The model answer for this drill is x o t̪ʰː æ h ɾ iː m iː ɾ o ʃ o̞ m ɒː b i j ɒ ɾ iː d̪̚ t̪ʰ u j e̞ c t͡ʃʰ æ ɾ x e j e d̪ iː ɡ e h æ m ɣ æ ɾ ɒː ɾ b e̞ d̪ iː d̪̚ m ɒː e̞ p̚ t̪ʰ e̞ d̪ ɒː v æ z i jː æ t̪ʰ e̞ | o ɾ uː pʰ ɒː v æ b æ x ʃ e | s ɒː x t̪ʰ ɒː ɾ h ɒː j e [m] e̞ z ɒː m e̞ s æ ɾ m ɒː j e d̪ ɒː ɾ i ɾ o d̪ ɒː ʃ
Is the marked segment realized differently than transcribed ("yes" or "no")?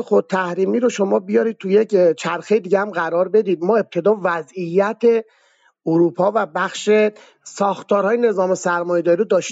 yes